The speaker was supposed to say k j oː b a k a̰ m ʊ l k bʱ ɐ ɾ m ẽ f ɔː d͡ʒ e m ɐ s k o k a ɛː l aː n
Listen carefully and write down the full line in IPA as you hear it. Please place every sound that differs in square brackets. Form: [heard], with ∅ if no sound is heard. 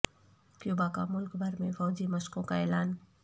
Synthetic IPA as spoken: k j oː b a k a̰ m ʊ l k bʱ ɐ ɾ m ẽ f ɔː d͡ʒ [i] m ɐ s k [õ] k a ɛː l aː n